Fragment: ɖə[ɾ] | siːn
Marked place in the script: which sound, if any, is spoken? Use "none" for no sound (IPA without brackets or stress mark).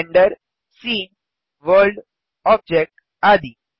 ɾ